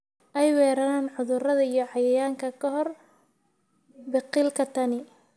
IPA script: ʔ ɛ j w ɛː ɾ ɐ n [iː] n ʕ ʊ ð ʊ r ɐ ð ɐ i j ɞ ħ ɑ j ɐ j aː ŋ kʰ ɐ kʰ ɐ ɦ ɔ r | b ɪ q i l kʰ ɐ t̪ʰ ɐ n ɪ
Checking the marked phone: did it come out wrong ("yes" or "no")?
yes